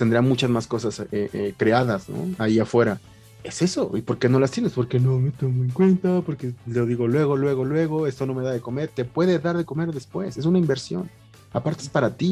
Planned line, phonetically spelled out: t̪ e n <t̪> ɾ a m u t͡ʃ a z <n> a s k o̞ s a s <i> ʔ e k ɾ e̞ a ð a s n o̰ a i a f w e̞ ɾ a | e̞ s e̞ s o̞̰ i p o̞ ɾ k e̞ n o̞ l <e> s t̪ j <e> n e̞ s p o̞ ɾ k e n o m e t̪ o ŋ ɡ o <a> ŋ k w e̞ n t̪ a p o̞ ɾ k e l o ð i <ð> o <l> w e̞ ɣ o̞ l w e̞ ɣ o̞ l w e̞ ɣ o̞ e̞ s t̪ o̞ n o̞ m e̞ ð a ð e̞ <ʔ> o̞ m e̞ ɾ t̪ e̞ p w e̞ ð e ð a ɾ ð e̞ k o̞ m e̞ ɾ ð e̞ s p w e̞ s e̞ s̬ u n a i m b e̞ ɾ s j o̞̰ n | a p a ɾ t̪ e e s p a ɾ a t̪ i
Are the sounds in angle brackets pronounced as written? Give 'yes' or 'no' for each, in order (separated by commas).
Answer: no, no, no, no, yes, no, no, yes, no